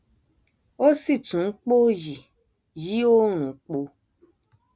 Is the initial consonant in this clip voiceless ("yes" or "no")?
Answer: yes